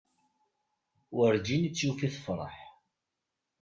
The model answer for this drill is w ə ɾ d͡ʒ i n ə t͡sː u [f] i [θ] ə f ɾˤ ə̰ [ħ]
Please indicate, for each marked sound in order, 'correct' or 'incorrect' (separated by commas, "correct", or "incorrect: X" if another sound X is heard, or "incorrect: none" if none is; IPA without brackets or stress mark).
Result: correct, correct, correct